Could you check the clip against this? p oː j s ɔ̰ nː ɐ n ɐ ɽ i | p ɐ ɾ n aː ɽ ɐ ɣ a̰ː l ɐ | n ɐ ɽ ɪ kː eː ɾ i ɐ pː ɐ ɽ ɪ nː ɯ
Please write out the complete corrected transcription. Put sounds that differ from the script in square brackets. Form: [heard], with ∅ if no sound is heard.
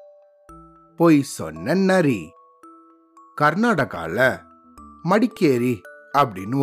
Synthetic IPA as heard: p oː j s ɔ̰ nː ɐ n ɐ [ɾ] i | [k] ɐ ɾ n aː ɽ ɐ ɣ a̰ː l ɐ | [m] ɐ ɽ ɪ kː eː ɾ i ɐ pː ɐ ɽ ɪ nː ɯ